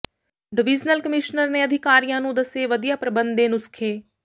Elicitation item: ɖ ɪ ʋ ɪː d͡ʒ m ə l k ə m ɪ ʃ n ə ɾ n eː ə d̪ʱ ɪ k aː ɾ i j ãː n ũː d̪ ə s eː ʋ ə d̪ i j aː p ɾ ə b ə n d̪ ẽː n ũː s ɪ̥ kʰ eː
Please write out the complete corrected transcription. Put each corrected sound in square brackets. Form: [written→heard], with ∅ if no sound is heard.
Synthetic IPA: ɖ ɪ ʋ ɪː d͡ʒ [m→n] ə l k ə m ɪ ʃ n ə ɾ n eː ə d̪ʱ ɪ k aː ɾ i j ãː n ũː d̪ ə s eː ʋ ə d̪ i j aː p ɾ ə b ə n d̪ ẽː n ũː s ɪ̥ kʰ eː